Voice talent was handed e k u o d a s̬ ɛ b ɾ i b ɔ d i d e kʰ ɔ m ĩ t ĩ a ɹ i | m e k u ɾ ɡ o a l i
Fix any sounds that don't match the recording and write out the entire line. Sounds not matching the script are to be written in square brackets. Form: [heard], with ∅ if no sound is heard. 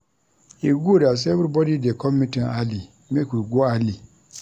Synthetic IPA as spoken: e [ɡ] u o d a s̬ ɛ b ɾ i b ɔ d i d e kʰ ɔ m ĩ t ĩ a [l] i | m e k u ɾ ɡ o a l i